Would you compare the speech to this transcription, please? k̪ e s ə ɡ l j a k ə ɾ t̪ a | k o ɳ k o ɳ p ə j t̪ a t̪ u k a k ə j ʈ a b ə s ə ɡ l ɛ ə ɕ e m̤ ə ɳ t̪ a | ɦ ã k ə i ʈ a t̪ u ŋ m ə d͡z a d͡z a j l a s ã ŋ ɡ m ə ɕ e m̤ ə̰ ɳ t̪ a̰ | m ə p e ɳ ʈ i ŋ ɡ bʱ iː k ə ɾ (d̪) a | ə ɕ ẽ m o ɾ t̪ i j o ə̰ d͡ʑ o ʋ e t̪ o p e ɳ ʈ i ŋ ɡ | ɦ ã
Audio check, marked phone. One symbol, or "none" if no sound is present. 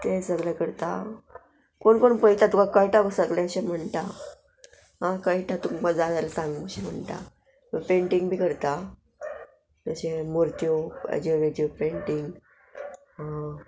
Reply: t̪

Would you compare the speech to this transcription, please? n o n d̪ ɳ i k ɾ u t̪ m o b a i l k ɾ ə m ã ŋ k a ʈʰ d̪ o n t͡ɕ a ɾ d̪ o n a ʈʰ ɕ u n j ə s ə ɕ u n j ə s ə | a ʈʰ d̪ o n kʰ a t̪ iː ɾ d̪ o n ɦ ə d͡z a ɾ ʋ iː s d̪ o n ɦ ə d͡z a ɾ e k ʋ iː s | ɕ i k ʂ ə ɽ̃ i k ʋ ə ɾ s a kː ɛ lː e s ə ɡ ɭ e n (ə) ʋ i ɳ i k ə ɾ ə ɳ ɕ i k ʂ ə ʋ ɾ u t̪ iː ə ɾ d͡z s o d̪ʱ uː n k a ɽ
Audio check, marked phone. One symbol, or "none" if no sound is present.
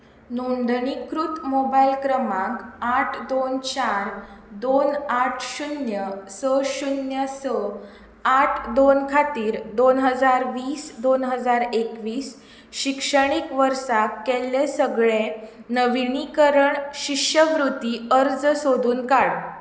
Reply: ə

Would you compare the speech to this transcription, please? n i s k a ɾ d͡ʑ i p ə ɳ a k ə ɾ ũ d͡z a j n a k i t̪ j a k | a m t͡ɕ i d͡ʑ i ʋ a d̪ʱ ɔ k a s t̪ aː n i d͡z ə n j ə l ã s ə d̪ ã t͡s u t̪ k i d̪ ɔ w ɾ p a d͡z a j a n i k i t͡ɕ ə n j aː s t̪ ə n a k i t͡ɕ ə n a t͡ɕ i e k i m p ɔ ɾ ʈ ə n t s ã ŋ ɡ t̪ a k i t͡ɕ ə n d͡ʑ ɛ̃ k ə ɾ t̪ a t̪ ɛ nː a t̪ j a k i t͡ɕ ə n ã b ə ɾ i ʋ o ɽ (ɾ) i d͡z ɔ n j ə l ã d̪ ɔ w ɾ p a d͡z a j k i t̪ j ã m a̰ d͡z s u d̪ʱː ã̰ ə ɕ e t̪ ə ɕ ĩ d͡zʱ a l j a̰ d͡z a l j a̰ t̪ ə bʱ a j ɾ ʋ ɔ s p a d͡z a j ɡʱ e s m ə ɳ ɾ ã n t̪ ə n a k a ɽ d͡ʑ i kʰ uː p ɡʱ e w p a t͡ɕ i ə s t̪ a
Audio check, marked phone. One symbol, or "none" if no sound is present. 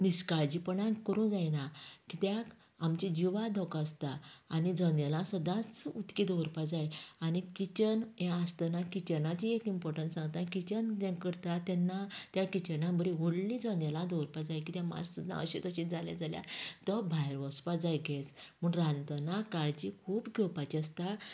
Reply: l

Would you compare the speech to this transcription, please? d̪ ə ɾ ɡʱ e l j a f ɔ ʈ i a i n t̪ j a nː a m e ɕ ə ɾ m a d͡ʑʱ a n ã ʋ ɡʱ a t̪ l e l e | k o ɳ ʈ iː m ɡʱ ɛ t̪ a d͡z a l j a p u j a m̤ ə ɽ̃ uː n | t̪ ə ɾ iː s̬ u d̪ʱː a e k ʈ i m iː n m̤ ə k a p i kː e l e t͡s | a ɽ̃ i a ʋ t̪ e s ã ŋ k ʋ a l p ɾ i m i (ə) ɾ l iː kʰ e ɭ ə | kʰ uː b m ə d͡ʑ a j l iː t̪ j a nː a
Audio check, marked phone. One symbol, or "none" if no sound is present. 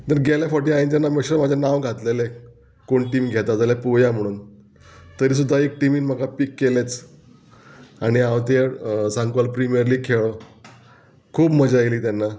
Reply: ə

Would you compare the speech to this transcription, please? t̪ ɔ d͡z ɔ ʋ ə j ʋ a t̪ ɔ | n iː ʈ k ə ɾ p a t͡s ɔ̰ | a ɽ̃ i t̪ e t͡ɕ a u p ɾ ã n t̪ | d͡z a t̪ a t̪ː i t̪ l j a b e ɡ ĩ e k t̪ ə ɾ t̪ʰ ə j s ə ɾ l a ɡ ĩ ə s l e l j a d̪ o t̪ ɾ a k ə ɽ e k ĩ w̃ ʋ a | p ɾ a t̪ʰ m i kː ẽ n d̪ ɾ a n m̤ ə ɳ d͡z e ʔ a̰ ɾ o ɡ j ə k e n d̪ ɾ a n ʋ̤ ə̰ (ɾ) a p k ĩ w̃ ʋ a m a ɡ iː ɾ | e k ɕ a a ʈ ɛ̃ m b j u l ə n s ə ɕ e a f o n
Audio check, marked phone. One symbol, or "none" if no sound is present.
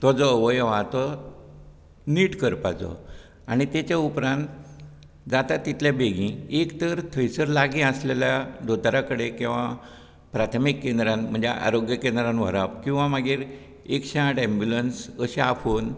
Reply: ɾ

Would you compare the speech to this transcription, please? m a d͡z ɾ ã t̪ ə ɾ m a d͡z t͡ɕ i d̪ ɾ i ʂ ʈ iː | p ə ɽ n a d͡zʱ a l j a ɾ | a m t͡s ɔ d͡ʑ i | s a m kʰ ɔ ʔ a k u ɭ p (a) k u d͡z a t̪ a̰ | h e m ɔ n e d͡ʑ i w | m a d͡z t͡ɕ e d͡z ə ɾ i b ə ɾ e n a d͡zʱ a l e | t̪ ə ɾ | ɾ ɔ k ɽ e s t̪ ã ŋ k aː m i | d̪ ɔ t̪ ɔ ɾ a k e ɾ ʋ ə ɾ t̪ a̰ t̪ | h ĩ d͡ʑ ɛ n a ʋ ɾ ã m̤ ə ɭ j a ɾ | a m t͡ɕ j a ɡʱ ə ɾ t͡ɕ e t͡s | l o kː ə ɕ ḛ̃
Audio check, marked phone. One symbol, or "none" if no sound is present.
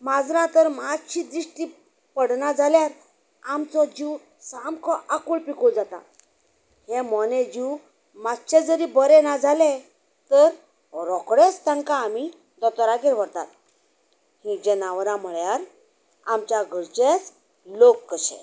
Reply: i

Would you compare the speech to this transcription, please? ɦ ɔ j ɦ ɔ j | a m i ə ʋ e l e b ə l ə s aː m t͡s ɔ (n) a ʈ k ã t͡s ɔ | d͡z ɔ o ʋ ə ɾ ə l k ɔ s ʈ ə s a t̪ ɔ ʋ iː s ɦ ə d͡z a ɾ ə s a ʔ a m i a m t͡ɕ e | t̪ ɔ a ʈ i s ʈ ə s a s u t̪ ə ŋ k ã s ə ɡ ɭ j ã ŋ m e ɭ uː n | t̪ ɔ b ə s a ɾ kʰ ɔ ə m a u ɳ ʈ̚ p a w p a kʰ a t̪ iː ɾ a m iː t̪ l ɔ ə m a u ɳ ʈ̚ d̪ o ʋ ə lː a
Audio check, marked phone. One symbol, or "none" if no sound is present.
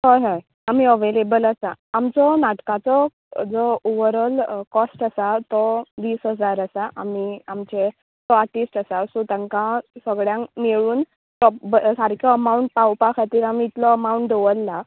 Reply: n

